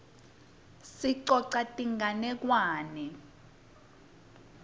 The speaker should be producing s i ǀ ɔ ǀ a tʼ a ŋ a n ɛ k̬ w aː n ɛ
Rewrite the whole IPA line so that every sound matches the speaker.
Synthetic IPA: s i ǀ ɔ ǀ a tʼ i ŋ a n ɛ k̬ w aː n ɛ